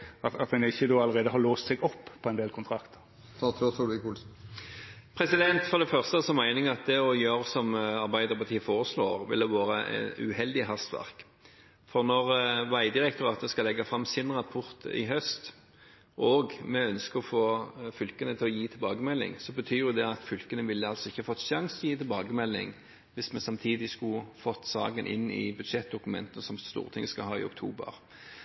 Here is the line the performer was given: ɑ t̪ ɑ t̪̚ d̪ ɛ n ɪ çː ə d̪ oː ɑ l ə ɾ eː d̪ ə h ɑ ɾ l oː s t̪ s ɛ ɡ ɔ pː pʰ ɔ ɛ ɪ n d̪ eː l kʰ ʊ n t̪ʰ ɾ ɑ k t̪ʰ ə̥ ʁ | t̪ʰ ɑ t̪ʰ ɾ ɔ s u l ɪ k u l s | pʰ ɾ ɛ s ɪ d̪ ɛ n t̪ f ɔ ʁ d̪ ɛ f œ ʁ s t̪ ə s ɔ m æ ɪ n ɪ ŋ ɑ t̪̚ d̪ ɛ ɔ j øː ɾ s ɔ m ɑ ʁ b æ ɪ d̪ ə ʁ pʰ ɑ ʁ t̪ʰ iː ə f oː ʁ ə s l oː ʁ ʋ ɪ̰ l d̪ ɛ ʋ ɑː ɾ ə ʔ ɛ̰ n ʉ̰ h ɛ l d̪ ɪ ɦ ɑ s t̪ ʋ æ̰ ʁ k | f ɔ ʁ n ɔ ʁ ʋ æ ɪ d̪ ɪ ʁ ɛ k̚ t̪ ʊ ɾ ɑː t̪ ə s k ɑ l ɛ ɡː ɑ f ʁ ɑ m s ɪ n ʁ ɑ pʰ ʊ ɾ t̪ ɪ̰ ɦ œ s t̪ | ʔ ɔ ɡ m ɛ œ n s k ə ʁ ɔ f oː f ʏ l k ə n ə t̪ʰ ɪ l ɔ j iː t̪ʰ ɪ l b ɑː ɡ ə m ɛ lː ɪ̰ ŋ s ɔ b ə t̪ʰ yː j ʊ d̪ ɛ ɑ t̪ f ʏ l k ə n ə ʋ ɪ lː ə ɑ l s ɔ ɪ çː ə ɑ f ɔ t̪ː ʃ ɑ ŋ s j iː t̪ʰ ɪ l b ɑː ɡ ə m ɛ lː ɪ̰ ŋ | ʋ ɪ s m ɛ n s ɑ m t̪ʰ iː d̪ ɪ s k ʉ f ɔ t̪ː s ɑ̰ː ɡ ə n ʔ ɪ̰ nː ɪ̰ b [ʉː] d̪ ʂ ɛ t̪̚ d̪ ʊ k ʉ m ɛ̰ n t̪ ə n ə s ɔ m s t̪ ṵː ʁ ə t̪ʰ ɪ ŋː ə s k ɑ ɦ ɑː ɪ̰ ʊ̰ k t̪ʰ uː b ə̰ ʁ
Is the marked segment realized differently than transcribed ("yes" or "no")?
yes